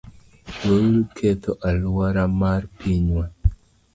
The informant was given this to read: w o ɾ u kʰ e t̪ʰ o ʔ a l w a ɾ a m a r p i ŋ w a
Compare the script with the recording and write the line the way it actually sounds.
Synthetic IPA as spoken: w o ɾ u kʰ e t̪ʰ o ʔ a l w a ɾ a m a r p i ɲ w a